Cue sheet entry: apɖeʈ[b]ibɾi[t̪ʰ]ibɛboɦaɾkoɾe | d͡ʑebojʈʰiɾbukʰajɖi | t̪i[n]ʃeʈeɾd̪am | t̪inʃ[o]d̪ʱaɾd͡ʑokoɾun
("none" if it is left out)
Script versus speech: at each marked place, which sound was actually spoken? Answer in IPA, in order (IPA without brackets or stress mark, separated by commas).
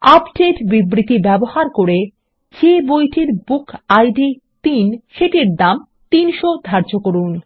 b, t̪, n, o